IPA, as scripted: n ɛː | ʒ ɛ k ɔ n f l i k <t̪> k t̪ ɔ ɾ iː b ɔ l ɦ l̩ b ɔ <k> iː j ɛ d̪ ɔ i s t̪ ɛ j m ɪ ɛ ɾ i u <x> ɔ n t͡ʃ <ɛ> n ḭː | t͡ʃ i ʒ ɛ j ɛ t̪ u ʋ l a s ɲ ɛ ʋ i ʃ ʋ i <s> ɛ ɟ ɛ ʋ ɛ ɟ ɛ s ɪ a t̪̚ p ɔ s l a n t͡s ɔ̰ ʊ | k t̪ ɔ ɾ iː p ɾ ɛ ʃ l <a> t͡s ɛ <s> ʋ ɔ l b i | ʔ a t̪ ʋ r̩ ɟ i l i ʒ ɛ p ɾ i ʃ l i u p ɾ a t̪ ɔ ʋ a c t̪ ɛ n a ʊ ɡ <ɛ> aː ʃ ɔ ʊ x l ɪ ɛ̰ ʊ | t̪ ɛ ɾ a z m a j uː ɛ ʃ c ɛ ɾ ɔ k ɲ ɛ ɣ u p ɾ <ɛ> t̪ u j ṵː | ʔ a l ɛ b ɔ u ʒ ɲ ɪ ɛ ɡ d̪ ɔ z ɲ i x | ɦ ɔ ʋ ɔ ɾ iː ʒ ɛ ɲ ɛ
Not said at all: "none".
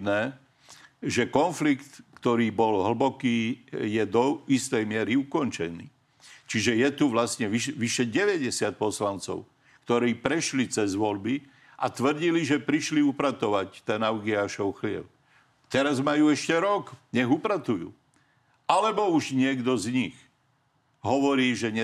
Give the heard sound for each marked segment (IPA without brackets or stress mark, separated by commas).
t̪, k, k, ɛ, ʃ, i, z, i, a